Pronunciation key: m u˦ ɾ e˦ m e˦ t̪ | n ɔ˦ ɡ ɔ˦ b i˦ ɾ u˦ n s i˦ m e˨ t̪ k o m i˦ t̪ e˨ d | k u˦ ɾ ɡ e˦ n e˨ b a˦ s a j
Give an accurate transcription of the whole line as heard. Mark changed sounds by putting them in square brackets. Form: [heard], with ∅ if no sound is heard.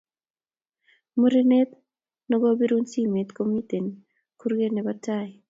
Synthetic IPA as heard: m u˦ ɾ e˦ [n] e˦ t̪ | n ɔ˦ ɡ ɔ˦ b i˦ ɾ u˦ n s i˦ m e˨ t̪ k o m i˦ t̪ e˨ [n] | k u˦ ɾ ɡ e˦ n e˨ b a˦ [t] a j